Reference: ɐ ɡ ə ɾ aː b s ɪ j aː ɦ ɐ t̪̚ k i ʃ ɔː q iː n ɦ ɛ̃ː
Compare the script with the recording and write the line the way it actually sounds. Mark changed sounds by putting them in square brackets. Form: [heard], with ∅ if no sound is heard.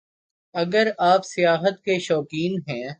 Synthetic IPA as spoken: ɐ ɡ ə ɾ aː [p] s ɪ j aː ɦ [ə] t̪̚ k [e] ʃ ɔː [k] iː n ɦ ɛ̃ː